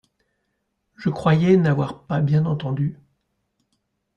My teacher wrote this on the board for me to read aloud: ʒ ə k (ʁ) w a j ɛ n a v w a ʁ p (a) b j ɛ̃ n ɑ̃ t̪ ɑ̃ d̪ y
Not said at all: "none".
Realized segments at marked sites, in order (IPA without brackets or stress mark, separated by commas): χ, a